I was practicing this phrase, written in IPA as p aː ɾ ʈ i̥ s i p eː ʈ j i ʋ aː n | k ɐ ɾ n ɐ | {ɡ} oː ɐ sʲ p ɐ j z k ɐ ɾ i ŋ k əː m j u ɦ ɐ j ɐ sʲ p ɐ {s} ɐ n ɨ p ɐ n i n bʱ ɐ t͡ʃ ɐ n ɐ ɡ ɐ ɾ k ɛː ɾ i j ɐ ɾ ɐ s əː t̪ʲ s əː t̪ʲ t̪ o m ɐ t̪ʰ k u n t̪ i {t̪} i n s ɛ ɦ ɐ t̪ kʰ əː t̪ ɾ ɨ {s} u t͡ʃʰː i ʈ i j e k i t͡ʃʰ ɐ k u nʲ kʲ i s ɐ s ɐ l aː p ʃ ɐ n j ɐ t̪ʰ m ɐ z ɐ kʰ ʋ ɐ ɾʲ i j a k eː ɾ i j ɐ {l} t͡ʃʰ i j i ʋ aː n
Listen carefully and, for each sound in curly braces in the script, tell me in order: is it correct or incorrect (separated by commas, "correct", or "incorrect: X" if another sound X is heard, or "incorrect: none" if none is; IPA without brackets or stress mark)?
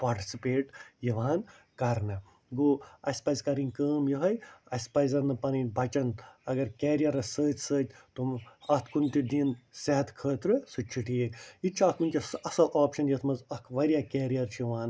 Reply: correct, incorrect: z, incorrect: d̪, correct, incorrect: ɾ